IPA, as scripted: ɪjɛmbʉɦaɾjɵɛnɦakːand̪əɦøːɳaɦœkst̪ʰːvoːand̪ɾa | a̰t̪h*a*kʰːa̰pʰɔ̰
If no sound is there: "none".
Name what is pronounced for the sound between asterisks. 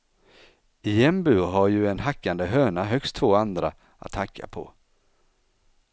a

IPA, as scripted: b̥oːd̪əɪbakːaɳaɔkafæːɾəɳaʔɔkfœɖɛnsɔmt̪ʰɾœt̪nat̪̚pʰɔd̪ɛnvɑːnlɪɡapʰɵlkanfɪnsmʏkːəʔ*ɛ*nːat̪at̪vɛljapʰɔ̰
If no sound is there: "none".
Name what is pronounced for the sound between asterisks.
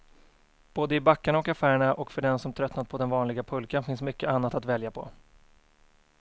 a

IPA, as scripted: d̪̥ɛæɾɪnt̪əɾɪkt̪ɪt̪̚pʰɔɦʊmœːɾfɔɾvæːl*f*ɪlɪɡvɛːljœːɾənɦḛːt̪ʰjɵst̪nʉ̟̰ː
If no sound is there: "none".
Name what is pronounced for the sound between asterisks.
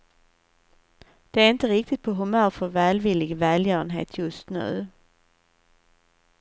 v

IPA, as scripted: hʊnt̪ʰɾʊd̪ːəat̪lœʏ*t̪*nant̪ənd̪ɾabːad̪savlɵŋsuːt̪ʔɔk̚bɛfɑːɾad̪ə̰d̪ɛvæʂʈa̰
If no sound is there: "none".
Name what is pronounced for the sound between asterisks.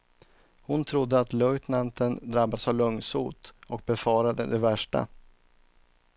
t̪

